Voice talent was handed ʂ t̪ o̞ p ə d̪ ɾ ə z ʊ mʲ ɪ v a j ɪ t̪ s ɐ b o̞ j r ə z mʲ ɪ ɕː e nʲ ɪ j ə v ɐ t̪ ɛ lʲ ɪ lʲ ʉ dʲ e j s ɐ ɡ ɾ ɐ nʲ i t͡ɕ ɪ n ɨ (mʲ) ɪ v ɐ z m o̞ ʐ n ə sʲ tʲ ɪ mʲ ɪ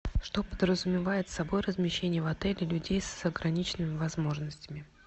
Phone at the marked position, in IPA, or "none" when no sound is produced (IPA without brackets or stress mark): mʲ